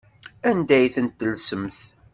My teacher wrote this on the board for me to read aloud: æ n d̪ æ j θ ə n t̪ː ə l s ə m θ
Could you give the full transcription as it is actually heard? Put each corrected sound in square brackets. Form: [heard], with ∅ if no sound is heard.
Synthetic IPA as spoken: æ n d̪ æ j θ ə n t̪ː ə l s ə m θ